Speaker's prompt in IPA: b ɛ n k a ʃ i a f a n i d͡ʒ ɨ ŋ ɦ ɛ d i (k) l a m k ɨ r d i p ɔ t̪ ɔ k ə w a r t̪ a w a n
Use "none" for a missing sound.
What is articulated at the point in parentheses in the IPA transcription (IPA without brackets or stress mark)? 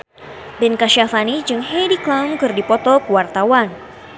k